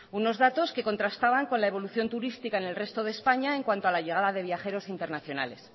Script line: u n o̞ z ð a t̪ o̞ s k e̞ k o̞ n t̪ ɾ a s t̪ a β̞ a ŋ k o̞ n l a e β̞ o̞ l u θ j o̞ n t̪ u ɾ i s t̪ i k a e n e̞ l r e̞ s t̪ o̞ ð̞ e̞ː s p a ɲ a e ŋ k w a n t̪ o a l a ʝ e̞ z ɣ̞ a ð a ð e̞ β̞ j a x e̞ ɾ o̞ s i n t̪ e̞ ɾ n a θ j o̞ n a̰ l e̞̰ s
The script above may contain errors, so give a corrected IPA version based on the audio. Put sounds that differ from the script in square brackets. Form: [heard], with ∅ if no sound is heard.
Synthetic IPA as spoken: u n o̞ z ð a t̪ o̞ s k e̞ k o̞ n t̪ ɾ a s t̪ a β̞ a ŋ k o̞ n l a e β̞ o̞ l u θ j o̞ n t̪ u ɾ i s t̪ i k a e n e̞ l r e̞ s t̪ o̞ ð̞ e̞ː s p a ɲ a e ŋ k w a n t̪ o a l a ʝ e̞ [∅] ɣ̞ a ð a ð e̞ β̞ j a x e̞ ɾ o̞ s i n t̪ e̞ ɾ n a θ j o̞ n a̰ l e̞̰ s